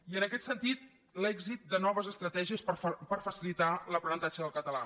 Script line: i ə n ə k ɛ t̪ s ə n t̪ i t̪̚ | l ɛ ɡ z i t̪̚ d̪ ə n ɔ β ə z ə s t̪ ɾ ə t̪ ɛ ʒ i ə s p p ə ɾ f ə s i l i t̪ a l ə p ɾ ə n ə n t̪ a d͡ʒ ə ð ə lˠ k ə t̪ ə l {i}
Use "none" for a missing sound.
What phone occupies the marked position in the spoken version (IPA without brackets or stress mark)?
a